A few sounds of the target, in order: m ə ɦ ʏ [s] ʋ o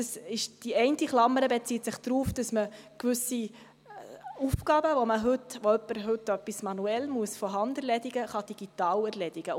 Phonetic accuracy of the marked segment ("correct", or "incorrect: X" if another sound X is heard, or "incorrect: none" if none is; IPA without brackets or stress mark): incorrect: t